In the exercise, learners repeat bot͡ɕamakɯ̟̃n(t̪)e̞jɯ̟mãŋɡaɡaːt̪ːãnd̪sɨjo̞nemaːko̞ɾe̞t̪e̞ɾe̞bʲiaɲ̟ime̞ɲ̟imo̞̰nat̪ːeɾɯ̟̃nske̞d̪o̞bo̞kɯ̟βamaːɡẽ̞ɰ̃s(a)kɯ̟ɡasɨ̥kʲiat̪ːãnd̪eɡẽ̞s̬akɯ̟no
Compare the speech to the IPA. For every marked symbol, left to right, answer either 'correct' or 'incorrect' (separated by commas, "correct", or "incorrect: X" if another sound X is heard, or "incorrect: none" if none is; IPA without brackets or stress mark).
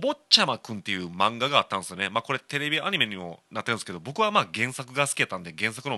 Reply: correct, correct